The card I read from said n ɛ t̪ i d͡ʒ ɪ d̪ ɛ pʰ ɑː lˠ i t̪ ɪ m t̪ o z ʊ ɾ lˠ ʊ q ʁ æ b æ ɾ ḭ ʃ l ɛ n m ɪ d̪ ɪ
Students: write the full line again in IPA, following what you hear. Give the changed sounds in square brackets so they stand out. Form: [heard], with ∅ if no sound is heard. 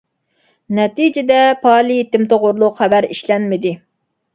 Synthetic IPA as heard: n ɛ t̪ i d͡ʒ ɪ d̪ ɛ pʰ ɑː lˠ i t̪ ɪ m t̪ o [ʁ] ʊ ɾ lˠ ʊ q [χ] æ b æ ɾ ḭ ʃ l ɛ n m ɪ d̪ ɪ